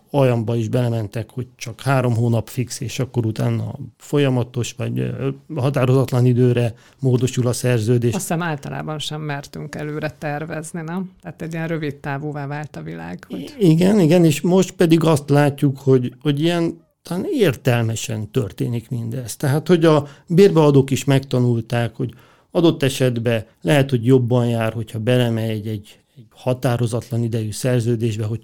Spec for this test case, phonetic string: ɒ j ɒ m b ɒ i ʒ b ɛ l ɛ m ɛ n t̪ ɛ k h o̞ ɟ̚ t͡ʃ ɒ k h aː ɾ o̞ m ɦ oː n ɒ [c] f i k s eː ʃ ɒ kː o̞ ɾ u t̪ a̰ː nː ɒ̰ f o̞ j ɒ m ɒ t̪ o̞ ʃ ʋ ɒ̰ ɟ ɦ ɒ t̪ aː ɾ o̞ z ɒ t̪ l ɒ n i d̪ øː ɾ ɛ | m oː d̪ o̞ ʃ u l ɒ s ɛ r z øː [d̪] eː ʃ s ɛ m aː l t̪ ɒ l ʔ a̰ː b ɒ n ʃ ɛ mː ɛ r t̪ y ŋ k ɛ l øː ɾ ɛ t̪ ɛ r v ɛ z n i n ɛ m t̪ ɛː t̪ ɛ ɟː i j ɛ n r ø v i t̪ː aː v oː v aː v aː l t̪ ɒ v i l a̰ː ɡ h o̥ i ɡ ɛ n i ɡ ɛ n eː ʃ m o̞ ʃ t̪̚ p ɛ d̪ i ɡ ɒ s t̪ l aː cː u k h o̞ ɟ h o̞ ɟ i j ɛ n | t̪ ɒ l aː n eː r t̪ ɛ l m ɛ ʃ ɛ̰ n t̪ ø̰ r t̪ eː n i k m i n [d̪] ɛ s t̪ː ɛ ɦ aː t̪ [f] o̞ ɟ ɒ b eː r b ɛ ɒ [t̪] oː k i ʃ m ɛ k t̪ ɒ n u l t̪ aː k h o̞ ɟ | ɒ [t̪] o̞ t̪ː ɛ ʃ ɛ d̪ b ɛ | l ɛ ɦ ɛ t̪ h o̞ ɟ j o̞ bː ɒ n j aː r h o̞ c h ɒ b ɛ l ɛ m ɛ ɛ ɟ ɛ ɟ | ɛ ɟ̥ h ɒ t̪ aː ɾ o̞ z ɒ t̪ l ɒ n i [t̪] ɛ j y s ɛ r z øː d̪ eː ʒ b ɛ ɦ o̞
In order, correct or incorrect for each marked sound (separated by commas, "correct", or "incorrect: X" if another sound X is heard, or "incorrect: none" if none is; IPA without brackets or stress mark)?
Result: incorrect: p, correct, correct, incorrect: h, incorrect: d̪, incorrect: d̪, incorrect: d̪